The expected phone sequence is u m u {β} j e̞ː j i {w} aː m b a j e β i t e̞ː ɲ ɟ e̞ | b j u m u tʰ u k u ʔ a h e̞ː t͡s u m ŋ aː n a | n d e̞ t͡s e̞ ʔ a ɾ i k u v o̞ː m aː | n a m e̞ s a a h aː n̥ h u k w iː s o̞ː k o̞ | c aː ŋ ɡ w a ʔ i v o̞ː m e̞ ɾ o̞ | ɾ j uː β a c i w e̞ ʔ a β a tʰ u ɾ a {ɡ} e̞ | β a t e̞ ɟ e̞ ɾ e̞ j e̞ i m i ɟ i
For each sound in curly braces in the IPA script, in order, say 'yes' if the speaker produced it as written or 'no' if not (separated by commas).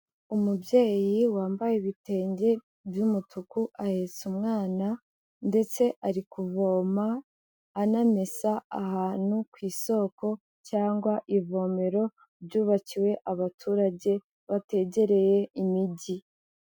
no, yes, no